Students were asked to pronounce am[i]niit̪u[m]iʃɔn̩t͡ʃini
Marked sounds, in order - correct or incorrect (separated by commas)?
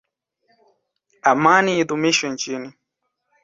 incorrect, correct